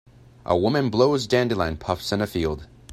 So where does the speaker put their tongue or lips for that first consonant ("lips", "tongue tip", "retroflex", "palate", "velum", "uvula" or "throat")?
throat